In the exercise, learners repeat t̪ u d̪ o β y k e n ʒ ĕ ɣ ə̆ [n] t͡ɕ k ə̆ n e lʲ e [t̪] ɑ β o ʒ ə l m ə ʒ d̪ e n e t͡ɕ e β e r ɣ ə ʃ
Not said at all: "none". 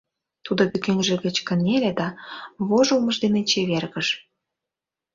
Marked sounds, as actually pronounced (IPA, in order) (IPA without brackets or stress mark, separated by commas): none, d̪